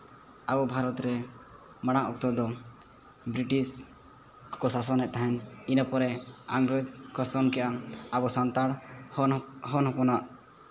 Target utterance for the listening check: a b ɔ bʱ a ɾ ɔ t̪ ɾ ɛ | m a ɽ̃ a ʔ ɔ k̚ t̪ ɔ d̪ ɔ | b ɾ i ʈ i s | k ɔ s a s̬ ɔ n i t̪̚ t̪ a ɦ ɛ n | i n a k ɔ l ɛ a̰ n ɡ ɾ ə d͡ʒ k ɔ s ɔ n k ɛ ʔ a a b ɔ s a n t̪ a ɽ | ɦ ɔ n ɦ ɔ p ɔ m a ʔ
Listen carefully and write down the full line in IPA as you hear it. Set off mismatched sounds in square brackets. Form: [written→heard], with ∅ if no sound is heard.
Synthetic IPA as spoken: a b ɔ bʱ a ɾ ɔ t̪ ɾ ɛ | m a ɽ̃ a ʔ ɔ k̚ t̪ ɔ d̪ ɔ | b ɾ i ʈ i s | k ɔ s a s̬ ɔ n [i→ɛ] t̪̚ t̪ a ɦ ɛ n | i n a [k→p] ɔ [l→ɾ] ɛ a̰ [n→ŋ] ɡ ɾ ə d͡ʒ k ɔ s ɔ n k ɛ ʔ a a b ɔ s a n t̪ a ɽ | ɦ ɔ n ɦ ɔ p ɔ [m→n] a ʔ